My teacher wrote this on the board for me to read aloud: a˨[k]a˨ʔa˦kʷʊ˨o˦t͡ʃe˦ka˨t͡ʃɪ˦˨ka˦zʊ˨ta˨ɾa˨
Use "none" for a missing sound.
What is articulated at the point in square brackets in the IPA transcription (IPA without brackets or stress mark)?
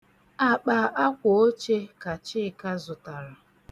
k͡p